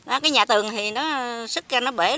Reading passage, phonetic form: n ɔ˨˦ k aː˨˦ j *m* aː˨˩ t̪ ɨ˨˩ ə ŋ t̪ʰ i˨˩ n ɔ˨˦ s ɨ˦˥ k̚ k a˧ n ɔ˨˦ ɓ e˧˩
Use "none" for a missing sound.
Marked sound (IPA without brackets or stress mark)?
ɲ